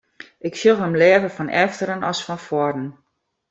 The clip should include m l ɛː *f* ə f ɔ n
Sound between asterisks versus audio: incorrect: v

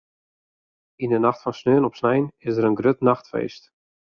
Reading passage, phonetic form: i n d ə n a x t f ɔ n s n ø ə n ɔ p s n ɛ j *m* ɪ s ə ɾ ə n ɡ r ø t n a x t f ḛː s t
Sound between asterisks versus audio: incorrect: n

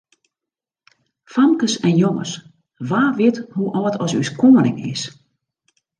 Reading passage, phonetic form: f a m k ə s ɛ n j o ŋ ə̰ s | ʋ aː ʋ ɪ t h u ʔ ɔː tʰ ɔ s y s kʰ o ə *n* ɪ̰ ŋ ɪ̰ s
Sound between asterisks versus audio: correct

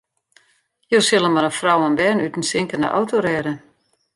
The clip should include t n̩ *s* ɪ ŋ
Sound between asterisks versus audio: correct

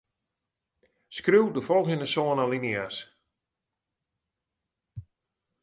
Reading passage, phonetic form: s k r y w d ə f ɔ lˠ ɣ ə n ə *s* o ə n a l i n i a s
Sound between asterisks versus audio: correct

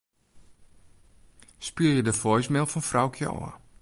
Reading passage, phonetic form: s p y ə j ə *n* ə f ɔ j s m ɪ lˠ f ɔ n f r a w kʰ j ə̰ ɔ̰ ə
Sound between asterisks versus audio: incorrect: d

